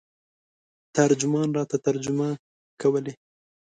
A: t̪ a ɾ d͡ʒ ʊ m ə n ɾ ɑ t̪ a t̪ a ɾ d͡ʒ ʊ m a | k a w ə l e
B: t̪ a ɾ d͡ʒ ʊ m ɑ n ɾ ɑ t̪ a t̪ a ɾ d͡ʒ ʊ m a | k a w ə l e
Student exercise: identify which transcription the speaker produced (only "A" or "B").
B